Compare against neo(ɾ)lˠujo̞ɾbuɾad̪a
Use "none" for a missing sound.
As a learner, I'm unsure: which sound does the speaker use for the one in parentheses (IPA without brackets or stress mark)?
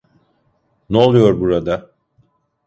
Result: none